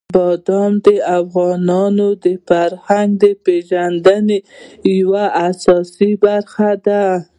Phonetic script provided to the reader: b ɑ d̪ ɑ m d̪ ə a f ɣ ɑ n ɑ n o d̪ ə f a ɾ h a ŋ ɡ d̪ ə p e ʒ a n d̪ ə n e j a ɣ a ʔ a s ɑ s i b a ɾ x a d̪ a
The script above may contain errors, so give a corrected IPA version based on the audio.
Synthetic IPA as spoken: b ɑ d̪ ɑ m d̪ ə a f ɣ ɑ n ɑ n o d̪ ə f a ɾ h a ŋ ɡ d̪ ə p e ʒ a n d̪ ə n e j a w a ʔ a s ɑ s i b a ɾ x a d̪ a